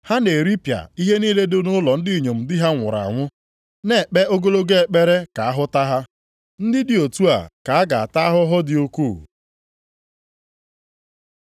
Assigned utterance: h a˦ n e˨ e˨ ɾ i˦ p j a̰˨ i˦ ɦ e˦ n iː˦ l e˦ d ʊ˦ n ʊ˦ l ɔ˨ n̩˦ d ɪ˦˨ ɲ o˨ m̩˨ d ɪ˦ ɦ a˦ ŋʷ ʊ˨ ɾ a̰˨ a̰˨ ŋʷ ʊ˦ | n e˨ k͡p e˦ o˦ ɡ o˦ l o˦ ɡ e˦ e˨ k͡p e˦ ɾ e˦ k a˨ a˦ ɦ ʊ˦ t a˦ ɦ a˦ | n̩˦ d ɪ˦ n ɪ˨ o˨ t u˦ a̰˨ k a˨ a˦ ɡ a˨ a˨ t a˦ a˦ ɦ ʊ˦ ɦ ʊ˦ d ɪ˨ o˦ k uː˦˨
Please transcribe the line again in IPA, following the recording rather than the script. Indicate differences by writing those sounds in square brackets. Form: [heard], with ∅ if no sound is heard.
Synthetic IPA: h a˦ n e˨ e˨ ɾ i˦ p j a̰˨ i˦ ɦ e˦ n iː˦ l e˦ d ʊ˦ n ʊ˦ l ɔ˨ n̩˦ d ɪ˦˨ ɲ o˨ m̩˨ d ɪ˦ ɦ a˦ ŋʷ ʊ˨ ɾ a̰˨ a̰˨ ŋʷ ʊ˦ | n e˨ k͡p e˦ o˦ ɡ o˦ l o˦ ɡ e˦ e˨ k͡p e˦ ɾ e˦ k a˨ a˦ ɦ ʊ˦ t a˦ ɦ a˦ | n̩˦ d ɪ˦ [d] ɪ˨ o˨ t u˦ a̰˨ k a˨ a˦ ɡ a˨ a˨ t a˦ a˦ ɦ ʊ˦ ɦ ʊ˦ d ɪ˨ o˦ k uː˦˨